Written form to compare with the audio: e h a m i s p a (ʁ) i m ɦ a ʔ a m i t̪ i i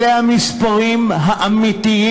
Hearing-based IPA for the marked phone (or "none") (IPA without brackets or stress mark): ʁ